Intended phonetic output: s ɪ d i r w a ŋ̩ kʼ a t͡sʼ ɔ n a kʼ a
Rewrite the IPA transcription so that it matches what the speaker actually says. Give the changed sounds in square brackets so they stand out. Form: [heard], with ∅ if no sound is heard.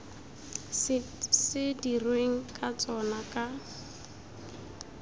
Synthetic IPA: s ɪ d i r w [e] ŋ̩ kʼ a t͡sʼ ɔ n a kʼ a